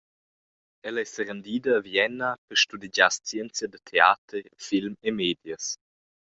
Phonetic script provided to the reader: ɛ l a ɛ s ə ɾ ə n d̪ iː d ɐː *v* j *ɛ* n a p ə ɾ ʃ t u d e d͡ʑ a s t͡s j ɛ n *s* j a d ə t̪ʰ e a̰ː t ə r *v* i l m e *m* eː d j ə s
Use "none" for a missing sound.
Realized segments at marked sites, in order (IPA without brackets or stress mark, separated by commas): v, ɛ, t͡s, f, m